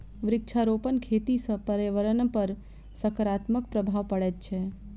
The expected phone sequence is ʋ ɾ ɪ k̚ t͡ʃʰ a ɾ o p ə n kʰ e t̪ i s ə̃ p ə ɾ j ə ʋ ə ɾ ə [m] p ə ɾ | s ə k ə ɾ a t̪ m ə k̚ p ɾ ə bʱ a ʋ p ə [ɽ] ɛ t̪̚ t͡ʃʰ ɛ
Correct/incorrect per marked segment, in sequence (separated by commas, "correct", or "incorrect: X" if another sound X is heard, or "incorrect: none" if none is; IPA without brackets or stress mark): incorrect: n, correct